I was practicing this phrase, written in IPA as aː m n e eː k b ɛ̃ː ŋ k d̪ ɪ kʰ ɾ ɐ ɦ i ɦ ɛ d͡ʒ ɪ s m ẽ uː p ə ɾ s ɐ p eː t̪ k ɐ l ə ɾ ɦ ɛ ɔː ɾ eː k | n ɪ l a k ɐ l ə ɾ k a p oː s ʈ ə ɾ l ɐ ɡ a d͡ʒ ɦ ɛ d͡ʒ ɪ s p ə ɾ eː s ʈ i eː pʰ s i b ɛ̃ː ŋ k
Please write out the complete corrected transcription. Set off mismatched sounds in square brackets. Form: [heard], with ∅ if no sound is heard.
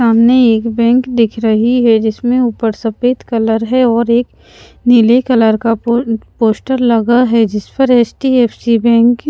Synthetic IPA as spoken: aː m n e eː k b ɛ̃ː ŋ k d̪ ɪ kʰ ɾ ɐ ɦ i ɦ ɛ d͡ʒ ɪ s m ẽ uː p ə ɾ s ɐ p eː t̪ k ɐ l ə ɾ ɦ ɛ ɔː ɾ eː k | n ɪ l [e] k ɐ l ə ɾ k a p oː s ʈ ə ɾ l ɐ ɡ a [∅] ɦ ɛ d͡ʒ ɪ s p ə ɾ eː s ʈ i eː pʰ s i b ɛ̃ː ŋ k